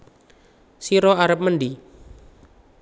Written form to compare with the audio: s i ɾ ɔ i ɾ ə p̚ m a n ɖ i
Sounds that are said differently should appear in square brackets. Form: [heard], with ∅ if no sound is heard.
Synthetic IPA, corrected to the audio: s i ɾ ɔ [a] ɾ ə p̚ m [ə] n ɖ i

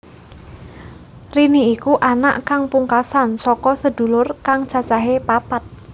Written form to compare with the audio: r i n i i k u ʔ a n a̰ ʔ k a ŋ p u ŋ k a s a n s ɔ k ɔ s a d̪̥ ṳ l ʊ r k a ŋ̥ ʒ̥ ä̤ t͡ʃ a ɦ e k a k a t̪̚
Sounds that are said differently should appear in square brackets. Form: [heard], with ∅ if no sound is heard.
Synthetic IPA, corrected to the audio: r i n i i k u ʔ a n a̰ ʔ k a ŋ p u ŋ k a s a n s ɔ k ɔ s [ə] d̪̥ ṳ l ʊ r k a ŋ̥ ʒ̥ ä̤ t͡ʃ a ɦ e [p] a [p] a t̪̚

